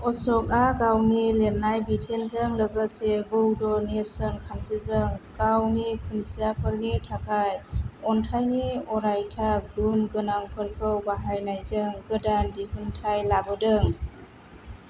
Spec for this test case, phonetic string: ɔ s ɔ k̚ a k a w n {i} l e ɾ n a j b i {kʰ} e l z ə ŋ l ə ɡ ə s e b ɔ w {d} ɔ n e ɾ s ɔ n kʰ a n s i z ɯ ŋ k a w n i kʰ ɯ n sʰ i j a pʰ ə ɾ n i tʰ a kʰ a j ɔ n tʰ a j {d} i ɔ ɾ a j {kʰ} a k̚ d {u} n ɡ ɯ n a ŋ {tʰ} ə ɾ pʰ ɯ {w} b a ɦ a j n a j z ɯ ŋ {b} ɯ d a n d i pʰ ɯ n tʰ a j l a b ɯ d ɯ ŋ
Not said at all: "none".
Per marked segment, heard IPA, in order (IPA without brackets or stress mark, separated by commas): i, tʰ, d, n, tʰ, u, pʰ, w, ɡ